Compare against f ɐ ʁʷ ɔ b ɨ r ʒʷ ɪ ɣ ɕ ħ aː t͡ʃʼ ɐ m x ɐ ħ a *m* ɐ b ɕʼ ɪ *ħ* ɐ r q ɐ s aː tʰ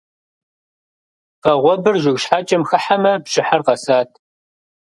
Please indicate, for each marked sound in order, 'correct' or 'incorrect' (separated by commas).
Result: correct, correct